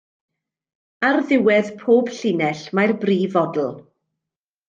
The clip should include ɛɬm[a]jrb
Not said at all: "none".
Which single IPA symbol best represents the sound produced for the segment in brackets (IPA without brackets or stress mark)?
a